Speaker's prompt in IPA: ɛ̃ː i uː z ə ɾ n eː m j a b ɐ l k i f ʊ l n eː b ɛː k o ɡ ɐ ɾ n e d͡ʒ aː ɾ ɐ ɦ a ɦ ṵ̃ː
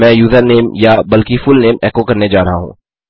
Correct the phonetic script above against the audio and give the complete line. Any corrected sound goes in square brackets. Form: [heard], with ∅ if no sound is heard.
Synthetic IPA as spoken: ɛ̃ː [j] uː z ə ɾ n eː m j a b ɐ l k i f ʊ l n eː [m] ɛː k o [k] ɐ ɾ n e d͡ʒ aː ɾ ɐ ɦ a ɦ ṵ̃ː